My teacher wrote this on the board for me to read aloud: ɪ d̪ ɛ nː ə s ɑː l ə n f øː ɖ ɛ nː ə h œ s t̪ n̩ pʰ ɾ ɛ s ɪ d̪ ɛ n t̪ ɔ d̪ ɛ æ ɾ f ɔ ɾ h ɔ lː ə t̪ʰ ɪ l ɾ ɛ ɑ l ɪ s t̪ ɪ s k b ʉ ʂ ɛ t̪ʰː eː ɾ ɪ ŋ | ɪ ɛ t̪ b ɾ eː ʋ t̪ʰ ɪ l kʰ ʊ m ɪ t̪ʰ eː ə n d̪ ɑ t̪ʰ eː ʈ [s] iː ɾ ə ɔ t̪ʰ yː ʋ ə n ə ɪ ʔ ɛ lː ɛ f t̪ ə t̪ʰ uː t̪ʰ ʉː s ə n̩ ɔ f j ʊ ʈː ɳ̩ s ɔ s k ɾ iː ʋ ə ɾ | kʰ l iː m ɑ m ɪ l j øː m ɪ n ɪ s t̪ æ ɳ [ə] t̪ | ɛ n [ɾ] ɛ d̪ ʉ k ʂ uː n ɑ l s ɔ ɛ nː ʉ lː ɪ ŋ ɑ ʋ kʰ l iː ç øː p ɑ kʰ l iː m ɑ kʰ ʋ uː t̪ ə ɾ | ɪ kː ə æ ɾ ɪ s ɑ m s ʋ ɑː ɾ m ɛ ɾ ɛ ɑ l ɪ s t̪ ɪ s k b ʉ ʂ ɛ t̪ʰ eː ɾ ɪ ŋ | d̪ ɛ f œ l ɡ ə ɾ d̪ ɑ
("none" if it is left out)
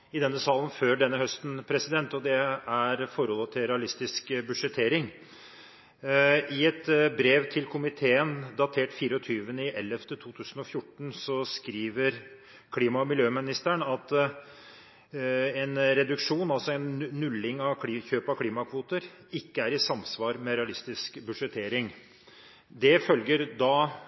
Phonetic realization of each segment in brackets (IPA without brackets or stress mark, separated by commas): f, ɑ, ɾ